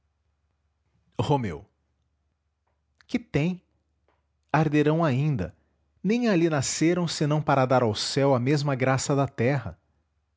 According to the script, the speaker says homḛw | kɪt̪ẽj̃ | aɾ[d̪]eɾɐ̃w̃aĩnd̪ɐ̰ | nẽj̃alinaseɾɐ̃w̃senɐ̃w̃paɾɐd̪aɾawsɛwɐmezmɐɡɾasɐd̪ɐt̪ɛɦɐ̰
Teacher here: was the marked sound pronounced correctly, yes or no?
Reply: yes